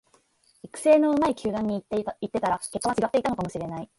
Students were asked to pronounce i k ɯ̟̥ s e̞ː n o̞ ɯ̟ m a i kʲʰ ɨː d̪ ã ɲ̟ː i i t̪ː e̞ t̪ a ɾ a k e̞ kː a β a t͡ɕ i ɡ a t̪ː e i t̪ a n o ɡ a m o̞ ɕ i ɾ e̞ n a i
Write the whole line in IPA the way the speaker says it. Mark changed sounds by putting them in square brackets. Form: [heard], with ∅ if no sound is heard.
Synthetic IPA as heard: i k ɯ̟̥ s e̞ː n o̞ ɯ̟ m a i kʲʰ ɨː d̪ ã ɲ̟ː i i t̪ː e̞ t̪ a ɾ a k e̞ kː a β a t͡ɕ i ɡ a t̪ː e i t̪ a n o [k] a m o̞ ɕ i ɾ e̞ n a i